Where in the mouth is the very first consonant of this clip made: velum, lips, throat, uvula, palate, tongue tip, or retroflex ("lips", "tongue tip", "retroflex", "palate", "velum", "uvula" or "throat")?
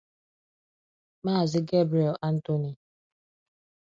lips